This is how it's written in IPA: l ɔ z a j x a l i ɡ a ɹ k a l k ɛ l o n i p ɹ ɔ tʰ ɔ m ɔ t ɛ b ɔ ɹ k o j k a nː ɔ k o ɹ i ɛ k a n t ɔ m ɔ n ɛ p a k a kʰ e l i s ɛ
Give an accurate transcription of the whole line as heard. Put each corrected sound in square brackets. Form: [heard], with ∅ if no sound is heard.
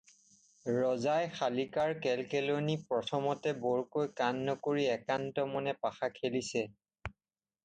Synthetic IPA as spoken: [ɹ] ɔ z a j x a l i [k] a ɹ k [ɛ] l k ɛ l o n i p ɹ ɔ tʰ ɔ m ɔ t ɛ b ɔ ɹ k o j k a nː ɔ k o ɹ i ɛ k a n t ɔ m ɔ n ɛ p a [x] a kʰ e l i s ɛ